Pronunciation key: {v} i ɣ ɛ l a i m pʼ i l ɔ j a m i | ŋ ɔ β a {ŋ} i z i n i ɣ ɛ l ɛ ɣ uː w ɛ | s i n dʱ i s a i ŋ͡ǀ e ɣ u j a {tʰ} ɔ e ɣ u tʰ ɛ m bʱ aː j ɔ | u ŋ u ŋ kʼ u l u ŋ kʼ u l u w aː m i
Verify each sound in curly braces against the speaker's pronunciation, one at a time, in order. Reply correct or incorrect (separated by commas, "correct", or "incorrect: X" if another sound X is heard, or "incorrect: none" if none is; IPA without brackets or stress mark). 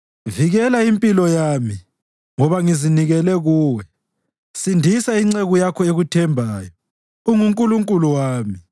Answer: correct, correct, incorrect: kʰ